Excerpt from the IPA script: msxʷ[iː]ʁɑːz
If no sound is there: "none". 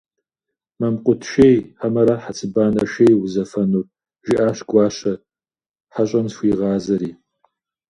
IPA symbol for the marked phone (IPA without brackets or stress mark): iː